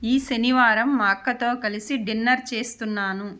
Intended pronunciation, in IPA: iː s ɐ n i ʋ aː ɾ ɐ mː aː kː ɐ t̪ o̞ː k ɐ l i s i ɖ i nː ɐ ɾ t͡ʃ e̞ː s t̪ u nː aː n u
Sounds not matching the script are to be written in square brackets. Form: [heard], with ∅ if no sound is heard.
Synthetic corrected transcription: iː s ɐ n i ʋ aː ɾ ɐ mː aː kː ɐ t̪ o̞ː k ɐ l i s i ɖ i nː ɐ ɾ t͡ʃ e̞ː s t̪ u nː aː n u